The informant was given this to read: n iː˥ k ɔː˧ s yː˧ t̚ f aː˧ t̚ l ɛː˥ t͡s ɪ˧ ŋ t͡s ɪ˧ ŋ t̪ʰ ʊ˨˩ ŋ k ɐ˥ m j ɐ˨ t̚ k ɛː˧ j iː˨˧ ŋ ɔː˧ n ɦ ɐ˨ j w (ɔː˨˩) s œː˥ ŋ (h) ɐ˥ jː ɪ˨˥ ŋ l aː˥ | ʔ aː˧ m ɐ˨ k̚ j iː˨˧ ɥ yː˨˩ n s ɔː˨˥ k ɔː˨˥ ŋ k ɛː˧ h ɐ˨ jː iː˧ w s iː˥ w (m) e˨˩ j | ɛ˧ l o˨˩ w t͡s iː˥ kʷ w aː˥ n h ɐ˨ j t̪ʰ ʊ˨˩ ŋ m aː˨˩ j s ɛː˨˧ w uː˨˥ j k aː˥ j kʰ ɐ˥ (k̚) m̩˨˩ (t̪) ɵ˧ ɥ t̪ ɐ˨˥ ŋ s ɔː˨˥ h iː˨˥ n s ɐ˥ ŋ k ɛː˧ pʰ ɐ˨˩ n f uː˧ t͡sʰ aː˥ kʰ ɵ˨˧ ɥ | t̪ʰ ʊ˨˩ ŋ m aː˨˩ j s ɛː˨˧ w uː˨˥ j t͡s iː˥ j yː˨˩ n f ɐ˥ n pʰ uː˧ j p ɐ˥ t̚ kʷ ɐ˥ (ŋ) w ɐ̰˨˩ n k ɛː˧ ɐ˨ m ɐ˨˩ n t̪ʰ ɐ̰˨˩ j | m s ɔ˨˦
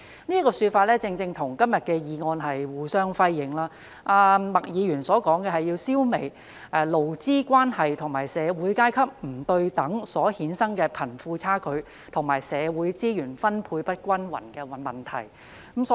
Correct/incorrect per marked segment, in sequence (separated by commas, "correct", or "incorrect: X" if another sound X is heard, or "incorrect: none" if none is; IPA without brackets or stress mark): incorrect: uː˨˩, incorrect: f, correct, incorrect: p̚, correct, incorrect: n